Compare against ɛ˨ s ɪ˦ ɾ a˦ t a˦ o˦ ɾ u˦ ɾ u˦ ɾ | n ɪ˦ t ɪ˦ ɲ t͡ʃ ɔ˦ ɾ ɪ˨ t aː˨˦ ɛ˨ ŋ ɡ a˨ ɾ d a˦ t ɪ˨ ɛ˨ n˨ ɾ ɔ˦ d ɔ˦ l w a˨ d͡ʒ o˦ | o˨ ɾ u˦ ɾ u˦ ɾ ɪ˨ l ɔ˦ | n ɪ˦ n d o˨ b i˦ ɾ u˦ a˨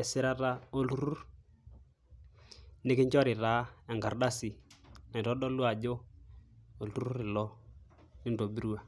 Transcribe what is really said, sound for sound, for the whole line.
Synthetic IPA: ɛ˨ s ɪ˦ ɾ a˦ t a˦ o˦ l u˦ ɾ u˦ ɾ | n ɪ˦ k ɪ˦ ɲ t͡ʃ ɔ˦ ɾ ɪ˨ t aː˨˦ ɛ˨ ŋ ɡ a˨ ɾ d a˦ s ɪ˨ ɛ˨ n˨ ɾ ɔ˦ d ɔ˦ l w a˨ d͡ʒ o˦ | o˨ l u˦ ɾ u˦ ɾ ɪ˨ l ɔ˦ | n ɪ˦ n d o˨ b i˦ ɾ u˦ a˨